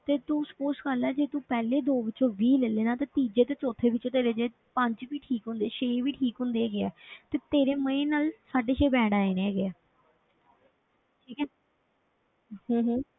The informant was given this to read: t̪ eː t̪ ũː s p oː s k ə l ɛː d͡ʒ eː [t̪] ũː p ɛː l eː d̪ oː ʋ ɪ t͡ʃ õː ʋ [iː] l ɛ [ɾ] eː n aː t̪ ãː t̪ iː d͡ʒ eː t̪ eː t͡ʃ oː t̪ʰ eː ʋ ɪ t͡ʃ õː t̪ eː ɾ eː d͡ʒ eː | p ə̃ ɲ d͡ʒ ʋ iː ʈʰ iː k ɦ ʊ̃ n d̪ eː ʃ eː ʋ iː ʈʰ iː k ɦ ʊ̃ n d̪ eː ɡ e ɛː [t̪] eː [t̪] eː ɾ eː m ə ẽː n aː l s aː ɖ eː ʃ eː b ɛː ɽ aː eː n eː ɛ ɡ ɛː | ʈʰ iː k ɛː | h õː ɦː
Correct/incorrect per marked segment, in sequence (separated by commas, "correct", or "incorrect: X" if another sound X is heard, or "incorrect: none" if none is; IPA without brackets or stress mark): correct, correct, incorrect: l, correct, correct